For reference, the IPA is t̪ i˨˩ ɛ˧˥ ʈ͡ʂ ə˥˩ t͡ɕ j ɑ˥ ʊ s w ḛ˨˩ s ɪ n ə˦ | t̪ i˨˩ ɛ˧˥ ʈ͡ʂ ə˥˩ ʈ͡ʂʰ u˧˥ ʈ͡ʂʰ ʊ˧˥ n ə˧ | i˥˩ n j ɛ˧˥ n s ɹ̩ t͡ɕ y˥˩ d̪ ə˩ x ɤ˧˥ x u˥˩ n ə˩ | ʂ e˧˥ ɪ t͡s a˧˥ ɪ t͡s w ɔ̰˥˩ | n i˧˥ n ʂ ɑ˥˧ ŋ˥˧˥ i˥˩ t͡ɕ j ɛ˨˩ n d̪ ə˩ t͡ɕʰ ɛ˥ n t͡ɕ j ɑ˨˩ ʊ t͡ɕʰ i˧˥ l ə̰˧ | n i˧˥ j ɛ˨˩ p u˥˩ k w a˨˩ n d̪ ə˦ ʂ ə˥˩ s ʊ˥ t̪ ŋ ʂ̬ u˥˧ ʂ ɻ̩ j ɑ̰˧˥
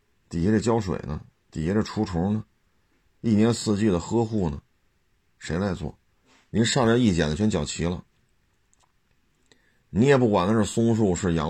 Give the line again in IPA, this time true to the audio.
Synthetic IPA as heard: t̪ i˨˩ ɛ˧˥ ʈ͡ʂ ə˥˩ t͡ɕ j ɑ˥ ʊ ʂ w ḛ˨˩ ɪ n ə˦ | t̪ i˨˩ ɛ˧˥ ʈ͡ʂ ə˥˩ ʈ͡ʂʰ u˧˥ ʈ͡ʂʰ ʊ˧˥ n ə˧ | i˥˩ n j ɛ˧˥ n s ɹ̩ t͡ɕ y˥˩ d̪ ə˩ x ɤ˥ x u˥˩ n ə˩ | ʂ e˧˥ ɪ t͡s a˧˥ ɪ t͡s w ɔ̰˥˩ | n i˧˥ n ʂ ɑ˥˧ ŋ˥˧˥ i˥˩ t͡ɕ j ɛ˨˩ n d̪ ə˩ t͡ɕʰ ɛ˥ n t͡ɕ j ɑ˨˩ ʊ t͡ɕʰ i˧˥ l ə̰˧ | n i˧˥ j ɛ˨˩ p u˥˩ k w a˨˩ n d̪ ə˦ ʈ͡ʂ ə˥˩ s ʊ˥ ŋ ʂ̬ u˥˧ ʂ ɻ̩ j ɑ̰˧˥